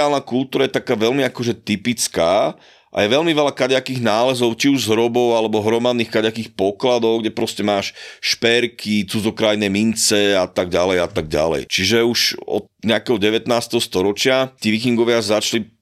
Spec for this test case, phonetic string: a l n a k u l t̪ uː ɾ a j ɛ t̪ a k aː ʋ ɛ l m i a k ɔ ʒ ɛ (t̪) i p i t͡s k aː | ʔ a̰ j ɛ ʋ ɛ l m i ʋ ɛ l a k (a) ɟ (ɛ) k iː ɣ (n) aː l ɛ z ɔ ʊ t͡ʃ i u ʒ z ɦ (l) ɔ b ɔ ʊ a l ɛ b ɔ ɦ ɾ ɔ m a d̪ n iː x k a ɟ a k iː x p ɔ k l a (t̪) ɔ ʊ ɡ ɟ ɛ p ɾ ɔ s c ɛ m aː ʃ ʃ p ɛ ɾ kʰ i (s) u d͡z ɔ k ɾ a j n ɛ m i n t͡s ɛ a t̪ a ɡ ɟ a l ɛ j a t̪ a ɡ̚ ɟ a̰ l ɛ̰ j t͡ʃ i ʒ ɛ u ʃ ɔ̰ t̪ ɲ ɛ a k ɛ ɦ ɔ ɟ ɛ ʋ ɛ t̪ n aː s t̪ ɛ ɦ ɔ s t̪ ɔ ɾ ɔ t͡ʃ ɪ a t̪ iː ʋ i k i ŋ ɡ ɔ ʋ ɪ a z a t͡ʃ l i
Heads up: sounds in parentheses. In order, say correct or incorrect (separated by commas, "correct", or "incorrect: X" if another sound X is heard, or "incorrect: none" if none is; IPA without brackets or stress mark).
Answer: correct, correct, incorrect: a, correct, incorrect: ɾ, incorrect: d̪, incorrect: t͡s